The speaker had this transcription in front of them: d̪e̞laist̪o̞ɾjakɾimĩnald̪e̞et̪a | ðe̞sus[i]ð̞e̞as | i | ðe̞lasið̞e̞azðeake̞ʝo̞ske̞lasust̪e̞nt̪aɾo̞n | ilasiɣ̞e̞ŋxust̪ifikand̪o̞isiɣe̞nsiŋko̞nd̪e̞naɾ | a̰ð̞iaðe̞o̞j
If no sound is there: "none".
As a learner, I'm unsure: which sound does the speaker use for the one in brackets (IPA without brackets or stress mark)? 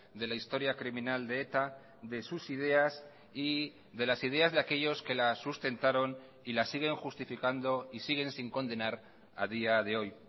i